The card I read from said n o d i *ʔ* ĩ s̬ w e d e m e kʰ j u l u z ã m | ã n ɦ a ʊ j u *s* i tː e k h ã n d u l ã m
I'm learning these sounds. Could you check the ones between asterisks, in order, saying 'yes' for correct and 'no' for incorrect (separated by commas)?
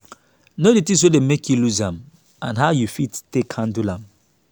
no, no